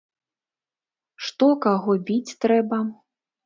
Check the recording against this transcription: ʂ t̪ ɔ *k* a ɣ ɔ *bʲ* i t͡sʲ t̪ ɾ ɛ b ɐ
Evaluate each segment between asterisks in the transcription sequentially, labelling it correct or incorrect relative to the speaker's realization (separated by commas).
correct, correct